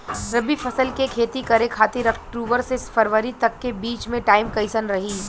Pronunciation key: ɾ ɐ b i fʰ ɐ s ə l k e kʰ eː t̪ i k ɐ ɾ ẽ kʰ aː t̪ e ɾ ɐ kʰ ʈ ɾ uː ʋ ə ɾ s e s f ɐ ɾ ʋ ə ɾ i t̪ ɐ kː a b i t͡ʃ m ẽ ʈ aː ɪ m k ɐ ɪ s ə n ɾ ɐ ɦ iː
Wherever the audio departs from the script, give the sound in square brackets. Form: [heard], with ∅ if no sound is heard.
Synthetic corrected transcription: ɾ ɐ b i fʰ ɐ s ə l k e kʰ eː t̪ i k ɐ ɾ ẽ kʰ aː t̪ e ɾ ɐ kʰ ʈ ɾ uː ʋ ə ɾ s e s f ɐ ɾ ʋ ə ɾ i t̪ ɐ kː [e] b [iː] t͡ʃ m ẽ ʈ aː ɪ m k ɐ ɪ s ə n ɾ ɐ ɦ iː